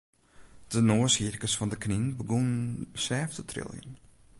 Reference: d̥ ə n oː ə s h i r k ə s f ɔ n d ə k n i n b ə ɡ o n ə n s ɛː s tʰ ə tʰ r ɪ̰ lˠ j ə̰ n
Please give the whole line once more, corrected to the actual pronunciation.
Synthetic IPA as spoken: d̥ ə n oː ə s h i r k ə s f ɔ n d ə k n i n b ə ɡ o n ə n s ɛː f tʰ ə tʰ r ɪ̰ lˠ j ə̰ n